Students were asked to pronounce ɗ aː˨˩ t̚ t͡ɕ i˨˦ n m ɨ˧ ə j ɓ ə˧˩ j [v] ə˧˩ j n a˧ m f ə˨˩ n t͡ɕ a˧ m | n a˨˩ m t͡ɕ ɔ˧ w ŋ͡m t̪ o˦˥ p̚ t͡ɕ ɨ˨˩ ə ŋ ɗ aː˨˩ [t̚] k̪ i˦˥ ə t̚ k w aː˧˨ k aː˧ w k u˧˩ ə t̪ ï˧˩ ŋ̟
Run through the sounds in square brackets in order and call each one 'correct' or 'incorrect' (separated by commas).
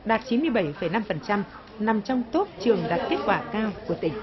incorrect, correct